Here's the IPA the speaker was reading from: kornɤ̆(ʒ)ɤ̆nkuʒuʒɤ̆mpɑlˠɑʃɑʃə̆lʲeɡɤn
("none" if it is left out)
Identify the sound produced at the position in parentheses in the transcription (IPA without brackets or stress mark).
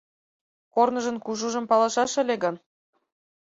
ʒ